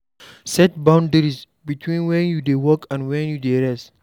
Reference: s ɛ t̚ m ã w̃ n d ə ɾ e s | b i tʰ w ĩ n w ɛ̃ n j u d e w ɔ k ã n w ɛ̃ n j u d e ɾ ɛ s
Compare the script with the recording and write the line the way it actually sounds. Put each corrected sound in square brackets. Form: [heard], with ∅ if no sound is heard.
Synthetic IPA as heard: s ɛ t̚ [b] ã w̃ n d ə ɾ [i] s | b i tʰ w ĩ n w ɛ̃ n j u d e w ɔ k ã n w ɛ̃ n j u d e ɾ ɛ s